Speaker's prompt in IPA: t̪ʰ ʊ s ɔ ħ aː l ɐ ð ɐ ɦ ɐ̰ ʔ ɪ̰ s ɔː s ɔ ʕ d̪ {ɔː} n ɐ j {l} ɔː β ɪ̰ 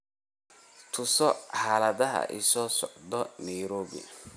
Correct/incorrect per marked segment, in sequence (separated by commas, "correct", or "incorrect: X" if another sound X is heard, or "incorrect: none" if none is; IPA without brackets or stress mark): incorrect: ɔ, incorrect: ɾ